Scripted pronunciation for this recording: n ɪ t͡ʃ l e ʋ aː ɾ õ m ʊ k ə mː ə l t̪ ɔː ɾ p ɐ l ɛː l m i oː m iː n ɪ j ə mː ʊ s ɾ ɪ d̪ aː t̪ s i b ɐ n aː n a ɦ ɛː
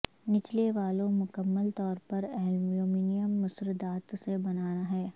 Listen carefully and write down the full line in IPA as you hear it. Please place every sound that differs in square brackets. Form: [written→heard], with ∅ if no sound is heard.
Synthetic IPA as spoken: n ɪ t͡ʃ l e ʋ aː [ɾ→l] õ m ʊ k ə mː ə l t̪ ɔː ɾ p ɐ [l→ɾ] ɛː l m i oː m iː n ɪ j ə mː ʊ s ɾ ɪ d̪ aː t̪ s [i→e] b ɐ n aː n a ɦ ɛː